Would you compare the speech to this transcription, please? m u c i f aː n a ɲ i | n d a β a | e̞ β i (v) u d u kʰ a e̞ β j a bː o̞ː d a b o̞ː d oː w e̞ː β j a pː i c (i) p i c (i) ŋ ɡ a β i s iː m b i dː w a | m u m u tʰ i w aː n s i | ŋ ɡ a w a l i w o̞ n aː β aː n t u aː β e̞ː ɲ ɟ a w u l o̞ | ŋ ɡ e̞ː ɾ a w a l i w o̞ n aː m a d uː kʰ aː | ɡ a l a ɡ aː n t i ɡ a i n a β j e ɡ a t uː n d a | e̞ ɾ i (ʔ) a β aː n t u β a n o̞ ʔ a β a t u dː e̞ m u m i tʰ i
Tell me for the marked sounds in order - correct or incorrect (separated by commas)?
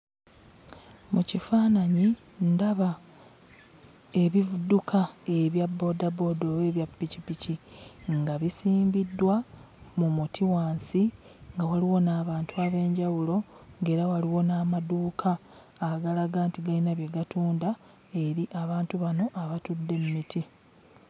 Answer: correct, correct, correct, correct